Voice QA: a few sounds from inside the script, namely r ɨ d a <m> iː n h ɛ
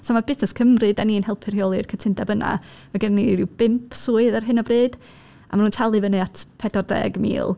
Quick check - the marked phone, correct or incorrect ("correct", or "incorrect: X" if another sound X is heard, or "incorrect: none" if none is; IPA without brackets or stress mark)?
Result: incorrect: n